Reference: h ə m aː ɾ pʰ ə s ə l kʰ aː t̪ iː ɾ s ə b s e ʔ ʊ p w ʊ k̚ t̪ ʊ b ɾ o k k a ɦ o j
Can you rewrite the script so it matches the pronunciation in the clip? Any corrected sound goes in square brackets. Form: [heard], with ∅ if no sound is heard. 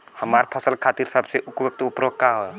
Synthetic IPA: h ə m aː ɾ pʰ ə s ə l kʰ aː t̪ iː ɾ s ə b s e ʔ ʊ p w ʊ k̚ t̪ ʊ [p] ɾ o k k a ɦ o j